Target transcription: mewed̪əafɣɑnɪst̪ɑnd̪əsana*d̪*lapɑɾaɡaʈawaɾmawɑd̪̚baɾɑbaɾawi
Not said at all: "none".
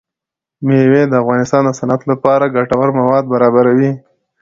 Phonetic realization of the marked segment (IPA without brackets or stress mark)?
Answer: t̪